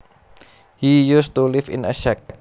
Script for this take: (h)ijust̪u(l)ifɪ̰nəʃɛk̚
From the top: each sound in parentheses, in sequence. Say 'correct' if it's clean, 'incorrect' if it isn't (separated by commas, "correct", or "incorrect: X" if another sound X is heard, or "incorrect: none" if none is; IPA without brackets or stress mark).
correct, correct